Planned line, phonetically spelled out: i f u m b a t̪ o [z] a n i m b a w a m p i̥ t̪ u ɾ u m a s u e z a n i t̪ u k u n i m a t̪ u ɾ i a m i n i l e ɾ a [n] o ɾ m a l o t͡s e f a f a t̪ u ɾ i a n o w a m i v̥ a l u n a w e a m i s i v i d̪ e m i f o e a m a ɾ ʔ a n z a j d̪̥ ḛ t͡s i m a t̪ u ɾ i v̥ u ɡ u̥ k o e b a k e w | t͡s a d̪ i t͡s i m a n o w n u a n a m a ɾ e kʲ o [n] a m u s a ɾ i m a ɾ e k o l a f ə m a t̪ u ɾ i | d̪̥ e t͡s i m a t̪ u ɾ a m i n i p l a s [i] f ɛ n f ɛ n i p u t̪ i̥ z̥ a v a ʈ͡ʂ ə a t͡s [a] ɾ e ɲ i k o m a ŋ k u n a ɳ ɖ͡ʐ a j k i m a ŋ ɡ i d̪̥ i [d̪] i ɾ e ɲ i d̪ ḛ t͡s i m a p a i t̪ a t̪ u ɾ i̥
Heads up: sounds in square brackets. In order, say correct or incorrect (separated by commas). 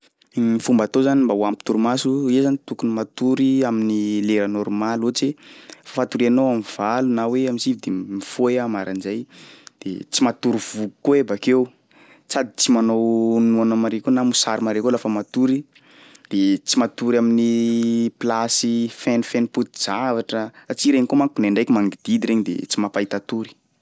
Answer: correct, correct, correct, correct, incorrect, correct